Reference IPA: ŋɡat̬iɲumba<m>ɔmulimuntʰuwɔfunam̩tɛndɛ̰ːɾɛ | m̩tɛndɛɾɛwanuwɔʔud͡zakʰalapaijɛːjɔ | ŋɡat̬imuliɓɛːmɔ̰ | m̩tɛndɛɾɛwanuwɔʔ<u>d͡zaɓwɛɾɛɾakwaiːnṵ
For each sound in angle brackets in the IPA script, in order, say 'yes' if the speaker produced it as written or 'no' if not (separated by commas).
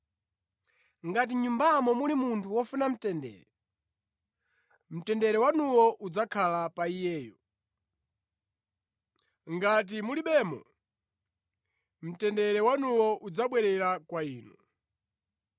yes, yes